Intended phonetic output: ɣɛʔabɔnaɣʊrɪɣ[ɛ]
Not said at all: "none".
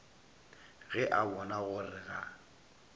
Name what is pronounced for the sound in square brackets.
a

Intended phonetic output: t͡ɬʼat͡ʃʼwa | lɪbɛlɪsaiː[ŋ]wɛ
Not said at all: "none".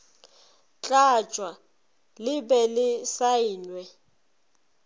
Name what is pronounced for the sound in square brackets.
n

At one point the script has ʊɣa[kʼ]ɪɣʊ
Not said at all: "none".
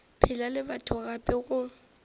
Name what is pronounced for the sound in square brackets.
pʼ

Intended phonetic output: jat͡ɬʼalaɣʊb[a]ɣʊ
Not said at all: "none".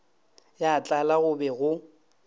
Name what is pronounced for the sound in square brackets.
ɛ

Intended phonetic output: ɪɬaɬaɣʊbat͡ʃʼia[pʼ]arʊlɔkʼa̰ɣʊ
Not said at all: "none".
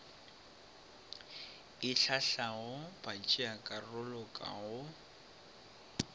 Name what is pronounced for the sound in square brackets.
kʼ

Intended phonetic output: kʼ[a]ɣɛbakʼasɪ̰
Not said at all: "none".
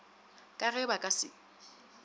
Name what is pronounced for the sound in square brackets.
a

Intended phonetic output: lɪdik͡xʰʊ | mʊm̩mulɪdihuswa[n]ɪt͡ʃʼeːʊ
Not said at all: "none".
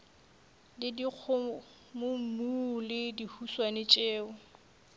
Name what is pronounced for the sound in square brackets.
n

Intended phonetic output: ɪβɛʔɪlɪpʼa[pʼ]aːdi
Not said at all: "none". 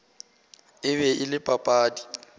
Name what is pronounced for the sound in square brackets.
pʼ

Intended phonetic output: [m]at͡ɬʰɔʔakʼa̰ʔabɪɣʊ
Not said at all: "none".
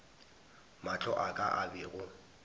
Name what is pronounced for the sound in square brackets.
m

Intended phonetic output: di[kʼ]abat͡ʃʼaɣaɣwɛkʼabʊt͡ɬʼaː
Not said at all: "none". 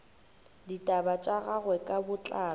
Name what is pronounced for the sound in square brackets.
tʼ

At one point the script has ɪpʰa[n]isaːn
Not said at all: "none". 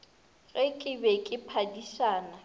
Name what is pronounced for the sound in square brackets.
d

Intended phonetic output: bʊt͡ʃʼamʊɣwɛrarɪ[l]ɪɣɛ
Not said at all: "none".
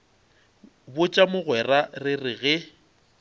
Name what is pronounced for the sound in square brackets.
r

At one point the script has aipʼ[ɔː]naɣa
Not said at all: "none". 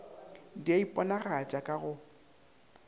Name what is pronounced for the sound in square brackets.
ɔ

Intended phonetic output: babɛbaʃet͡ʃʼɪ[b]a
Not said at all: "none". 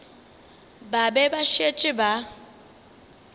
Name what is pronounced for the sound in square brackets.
b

